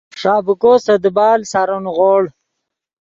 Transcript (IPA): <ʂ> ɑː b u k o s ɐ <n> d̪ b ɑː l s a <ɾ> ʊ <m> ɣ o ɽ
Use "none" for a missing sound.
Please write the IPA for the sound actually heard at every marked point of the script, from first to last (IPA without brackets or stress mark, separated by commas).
ʂ, none, ɾ, n